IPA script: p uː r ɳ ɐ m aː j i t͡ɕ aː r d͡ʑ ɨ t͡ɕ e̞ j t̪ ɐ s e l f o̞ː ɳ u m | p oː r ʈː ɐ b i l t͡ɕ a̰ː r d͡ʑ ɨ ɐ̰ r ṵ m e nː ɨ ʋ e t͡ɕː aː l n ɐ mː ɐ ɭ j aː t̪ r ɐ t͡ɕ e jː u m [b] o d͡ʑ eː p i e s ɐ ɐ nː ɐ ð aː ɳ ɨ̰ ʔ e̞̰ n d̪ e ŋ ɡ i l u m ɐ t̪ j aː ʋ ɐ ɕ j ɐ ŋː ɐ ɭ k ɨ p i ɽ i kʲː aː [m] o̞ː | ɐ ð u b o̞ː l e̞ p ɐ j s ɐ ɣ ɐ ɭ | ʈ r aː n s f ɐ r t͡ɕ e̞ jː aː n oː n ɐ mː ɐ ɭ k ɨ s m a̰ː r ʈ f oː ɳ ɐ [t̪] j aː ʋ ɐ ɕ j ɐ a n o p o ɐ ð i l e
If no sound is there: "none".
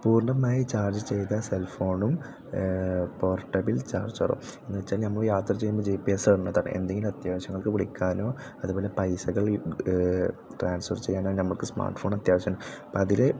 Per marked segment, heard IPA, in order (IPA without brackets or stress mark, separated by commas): b, n, t̪